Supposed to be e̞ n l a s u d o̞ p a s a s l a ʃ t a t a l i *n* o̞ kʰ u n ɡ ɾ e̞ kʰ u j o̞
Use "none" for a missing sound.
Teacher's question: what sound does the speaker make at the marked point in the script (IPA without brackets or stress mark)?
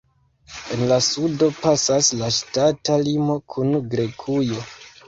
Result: m